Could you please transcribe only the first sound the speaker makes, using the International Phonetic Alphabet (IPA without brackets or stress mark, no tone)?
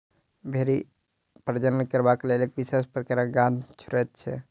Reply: bʱ